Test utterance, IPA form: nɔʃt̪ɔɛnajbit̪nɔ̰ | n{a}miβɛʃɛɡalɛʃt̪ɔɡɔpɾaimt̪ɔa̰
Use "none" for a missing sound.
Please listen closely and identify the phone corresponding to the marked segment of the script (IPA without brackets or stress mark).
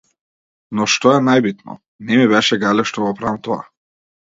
ɛ